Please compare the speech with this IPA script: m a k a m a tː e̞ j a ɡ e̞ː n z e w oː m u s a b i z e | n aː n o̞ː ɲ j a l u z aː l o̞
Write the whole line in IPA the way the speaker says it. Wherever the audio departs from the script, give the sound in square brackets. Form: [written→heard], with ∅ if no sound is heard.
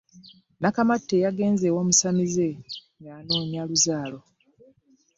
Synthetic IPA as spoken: [m→n] a k a m a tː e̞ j a ɡ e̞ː n z e w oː m u s a [b→m] i z e | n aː n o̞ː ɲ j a l u z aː l o̞